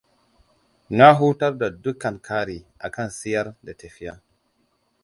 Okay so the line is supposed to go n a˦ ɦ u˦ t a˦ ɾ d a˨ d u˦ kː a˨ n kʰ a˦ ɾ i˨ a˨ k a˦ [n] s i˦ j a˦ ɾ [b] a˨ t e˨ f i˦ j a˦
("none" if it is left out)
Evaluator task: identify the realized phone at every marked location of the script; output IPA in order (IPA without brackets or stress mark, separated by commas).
n, d